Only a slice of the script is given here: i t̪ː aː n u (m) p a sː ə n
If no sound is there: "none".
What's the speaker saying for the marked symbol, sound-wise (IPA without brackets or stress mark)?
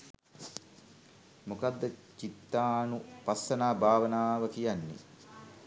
none